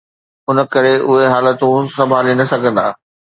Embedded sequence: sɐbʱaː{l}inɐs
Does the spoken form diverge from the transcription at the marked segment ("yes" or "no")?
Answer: no